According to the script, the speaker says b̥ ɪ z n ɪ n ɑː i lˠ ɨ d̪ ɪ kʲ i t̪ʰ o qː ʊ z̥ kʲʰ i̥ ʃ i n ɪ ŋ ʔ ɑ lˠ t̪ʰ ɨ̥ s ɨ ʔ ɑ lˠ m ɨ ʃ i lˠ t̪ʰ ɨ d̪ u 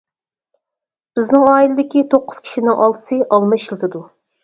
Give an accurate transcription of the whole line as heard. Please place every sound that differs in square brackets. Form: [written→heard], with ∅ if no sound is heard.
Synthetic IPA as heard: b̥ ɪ z n ɪ [n→ŋ] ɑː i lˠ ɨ d̪ ɪ kʲ i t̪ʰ o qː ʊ z̥ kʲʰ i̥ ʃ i n ɪ ŋ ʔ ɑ lˠ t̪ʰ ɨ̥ s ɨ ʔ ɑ lˠ m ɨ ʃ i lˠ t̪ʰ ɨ d̪ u

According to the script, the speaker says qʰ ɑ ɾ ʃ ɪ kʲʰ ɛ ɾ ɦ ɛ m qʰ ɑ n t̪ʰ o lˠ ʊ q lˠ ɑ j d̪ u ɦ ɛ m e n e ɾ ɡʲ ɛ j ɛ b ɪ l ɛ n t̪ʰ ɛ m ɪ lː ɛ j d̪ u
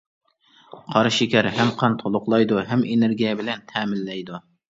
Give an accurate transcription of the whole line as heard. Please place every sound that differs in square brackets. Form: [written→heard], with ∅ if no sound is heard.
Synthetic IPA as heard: qʰ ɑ ɾ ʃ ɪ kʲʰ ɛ ɾ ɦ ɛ m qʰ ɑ n t̪ʰ o lˠ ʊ q lˠ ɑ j d̪ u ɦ ɛ m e n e ɾ ɡʲ [ɛ→i] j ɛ b ɪ l ɛ n t̪ʰ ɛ m ɪ lː ɛ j d̪ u

